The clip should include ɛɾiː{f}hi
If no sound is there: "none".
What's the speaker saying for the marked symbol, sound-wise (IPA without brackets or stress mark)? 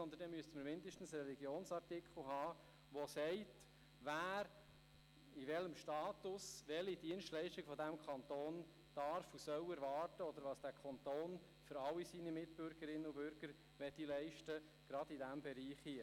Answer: χ